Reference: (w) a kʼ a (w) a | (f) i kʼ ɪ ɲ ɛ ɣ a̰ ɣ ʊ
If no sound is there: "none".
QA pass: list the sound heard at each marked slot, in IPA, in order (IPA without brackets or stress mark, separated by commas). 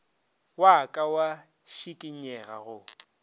w, w, ʃ